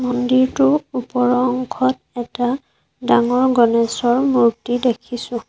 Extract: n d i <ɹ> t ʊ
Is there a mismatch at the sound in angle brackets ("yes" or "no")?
no